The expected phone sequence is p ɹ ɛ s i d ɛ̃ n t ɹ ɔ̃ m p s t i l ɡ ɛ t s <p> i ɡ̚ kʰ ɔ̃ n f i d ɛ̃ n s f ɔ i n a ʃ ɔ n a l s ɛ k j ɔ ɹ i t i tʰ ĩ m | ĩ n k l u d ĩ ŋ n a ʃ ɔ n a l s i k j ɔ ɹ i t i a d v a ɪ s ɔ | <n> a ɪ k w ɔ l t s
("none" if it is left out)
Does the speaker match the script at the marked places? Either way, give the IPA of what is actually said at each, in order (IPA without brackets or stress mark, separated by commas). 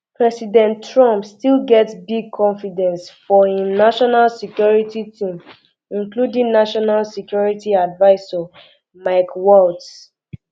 b, m